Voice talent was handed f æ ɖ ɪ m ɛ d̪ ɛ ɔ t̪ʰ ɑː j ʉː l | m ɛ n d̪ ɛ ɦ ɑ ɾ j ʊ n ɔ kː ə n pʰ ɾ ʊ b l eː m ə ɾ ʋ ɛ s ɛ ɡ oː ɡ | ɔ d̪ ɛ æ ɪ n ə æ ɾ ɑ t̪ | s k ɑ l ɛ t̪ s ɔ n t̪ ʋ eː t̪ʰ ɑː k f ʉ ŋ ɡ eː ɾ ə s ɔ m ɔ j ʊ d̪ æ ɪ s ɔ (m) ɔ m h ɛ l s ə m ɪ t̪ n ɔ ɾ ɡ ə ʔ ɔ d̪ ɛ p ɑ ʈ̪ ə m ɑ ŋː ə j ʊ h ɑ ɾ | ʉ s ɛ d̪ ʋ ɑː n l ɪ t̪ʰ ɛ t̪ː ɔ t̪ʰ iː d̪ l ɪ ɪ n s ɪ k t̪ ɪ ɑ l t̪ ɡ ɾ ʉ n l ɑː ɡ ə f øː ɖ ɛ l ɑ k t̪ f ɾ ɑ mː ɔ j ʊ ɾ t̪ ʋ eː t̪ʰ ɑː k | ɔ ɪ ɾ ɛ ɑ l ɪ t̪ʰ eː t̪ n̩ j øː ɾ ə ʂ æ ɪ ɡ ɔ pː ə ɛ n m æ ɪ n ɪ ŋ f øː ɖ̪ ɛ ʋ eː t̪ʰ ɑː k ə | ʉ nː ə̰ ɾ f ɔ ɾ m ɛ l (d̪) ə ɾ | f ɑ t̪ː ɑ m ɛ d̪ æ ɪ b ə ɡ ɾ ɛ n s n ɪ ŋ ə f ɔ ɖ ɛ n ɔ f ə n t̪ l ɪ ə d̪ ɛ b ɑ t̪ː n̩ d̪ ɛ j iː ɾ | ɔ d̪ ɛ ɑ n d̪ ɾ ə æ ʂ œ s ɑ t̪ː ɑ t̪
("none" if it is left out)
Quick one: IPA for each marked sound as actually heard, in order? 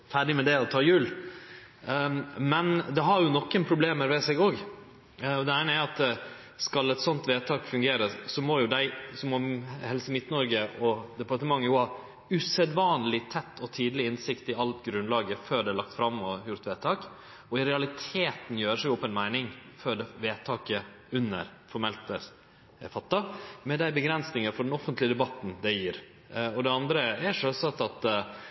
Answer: m, t̪

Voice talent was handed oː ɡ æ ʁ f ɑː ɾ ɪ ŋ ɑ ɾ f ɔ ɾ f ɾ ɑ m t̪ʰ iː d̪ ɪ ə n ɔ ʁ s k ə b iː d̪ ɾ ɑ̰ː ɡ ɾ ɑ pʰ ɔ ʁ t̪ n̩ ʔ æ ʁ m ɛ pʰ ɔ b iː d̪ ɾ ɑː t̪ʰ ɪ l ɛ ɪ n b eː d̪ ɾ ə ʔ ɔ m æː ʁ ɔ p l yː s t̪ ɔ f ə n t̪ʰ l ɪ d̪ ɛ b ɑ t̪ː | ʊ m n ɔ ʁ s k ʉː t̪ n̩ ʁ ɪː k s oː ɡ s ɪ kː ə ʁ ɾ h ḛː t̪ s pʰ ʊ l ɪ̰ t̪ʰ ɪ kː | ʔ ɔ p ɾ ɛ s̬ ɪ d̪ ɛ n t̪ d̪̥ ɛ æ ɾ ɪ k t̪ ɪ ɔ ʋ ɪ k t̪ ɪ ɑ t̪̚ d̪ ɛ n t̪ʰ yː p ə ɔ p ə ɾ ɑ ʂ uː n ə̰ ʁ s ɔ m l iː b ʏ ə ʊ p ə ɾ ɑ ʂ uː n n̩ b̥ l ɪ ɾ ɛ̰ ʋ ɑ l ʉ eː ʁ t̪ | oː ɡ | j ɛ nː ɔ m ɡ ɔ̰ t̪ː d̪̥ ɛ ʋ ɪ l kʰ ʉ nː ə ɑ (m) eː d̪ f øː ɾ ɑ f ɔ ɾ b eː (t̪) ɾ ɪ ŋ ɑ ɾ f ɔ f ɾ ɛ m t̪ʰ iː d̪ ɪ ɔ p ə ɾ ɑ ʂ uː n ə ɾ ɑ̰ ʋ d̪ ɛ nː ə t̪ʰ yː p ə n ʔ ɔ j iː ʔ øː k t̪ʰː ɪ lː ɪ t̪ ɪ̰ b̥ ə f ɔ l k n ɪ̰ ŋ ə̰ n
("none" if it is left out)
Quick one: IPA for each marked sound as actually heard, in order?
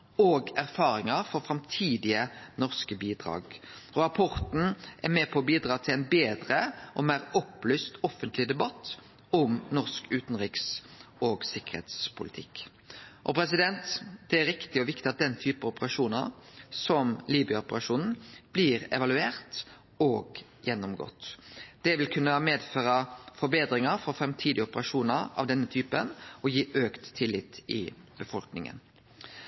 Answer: m, d̪

